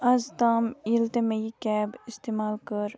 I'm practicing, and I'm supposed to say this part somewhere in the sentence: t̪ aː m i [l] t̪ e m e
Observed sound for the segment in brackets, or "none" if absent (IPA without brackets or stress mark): l